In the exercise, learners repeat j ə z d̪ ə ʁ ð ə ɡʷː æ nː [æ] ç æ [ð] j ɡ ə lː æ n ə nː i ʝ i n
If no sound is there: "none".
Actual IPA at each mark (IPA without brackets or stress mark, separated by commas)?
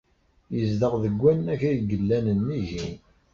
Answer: æ, none